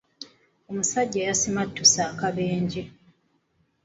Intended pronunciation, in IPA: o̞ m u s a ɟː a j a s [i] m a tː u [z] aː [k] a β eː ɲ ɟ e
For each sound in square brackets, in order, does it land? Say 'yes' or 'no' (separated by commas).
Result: yes, no, yes